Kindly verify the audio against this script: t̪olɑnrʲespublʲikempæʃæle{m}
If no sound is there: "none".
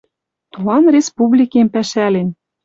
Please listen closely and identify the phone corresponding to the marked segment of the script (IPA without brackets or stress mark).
n